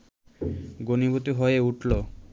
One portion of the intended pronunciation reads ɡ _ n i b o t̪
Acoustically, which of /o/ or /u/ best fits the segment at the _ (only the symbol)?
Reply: o